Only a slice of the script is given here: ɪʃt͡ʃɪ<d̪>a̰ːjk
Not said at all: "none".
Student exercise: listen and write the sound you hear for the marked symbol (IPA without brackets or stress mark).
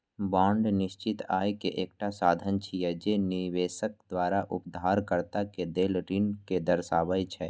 t̪